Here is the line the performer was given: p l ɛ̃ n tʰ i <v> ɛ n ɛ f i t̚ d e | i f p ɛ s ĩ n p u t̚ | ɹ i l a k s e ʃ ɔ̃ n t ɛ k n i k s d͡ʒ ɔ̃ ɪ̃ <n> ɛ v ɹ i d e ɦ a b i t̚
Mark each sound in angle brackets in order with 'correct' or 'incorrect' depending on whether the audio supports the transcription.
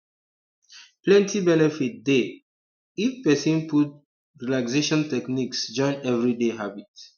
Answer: incorrect: b, correct

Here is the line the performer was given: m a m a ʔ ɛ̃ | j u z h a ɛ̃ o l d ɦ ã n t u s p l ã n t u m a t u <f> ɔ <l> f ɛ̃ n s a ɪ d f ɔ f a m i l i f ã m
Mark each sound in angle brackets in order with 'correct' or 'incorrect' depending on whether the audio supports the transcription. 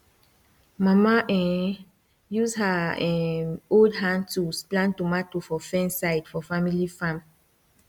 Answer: correct, incorrect: none

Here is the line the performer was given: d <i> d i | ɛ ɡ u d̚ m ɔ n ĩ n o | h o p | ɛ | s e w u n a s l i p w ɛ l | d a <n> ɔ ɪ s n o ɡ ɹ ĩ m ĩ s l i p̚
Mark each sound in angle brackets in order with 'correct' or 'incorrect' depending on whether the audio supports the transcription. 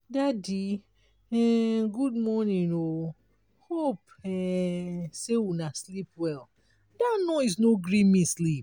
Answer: incorrect: a, correct

